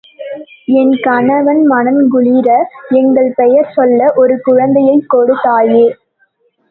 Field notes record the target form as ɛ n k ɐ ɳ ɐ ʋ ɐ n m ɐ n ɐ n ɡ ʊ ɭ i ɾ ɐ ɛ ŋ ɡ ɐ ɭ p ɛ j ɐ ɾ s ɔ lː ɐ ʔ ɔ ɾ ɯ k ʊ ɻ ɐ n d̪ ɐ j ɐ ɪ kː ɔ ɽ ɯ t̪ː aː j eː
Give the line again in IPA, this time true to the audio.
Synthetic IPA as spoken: ɛ n k ɐ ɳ ɐ ʋ ɐ n m ɐ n ɐ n ɡ ʊ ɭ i ɾ ɐ ɛ ŋ ɡ ɐ ɭ p ɛ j ɐ ɾ s ɔ lː ɐ ʔ ɔ ɾ ɯ k ʊ ɻ ɐ n d̪ ɐ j ɐ ɪ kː ɔ ɽ ɯ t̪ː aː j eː